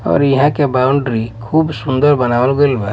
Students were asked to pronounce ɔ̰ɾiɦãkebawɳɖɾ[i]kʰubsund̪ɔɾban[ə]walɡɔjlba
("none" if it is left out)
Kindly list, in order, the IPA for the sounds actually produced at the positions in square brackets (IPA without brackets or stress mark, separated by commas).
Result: i, a